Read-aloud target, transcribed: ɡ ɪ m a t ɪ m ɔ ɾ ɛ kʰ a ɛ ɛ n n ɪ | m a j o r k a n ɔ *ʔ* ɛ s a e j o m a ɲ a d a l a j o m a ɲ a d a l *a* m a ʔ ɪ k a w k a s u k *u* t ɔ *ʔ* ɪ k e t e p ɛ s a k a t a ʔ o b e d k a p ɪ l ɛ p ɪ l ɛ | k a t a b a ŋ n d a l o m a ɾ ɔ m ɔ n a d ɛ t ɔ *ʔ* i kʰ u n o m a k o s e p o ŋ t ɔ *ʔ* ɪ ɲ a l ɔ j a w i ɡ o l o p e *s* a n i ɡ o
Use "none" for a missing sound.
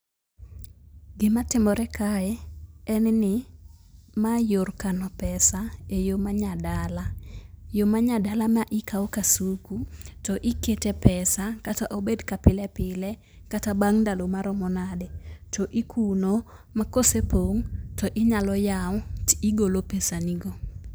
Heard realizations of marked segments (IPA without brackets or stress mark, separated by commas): p, a, u, ʔ, ʔ, ʔ, s